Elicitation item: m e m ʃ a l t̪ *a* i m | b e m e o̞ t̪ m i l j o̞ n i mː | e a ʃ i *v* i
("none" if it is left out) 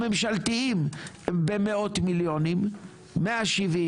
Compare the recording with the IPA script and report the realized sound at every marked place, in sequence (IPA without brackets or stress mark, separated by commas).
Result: i, v